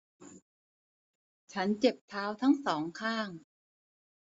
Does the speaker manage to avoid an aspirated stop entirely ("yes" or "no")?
no